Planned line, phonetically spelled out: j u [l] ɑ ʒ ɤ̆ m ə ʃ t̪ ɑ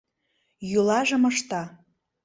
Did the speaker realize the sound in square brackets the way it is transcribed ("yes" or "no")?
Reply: yes